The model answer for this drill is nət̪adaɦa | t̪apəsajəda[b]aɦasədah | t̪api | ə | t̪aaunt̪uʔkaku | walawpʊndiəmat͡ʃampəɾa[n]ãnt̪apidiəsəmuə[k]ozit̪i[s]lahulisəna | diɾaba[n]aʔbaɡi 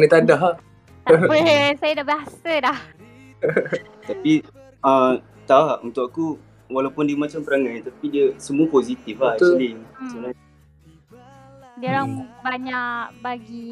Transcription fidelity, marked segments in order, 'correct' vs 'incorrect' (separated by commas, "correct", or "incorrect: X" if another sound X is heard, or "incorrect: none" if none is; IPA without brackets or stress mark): correct, incorrect: ŋ, incorrect: p, incorrect: f, incorrect: ɲ